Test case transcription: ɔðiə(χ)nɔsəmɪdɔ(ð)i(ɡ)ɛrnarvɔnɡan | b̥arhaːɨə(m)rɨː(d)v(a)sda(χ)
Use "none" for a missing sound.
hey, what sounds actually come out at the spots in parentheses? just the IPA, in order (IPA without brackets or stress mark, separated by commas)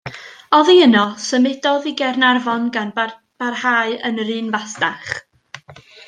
none, ð, ɡ, n, n, a, χ